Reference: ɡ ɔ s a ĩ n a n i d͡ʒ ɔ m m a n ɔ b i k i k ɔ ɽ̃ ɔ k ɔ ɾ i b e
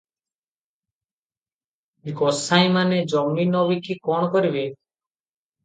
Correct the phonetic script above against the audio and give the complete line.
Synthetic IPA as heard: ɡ ɔ s a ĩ m a n e d͡ʒ ɔ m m i n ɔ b i k i k ɔ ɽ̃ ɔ k ɔ ɾ i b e